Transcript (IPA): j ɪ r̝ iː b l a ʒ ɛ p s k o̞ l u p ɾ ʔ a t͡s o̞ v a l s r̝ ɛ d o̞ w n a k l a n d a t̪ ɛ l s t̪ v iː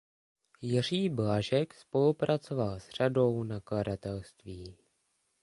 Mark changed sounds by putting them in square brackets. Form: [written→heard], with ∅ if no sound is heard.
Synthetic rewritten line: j ɪ r̝ iː b l a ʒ ɛ [p→k] s [k→p] o̞ l u p ɾ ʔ a t͡s o̞ v a l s r̝ [ɛ→a] d o̞ w n a k l a [n→∅] d a t̪ ɛ l s t̪ v iː